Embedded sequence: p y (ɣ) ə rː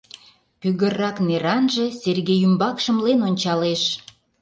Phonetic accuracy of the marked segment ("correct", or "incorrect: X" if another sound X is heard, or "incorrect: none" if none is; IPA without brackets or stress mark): correct